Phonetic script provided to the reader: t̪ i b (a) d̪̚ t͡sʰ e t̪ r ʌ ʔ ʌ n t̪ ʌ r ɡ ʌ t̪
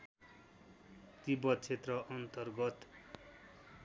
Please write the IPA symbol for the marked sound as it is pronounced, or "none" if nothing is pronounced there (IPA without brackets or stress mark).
ʌ